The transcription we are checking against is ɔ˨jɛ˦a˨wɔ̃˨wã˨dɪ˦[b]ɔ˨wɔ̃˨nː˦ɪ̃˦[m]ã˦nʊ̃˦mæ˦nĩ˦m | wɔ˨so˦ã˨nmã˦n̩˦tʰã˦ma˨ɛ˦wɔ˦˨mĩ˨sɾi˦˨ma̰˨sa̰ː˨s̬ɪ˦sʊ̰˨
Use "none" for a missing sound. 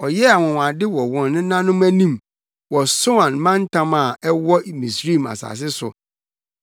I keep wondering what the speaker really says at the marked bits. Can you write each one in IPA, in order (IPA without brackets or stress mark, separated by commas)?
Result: w, n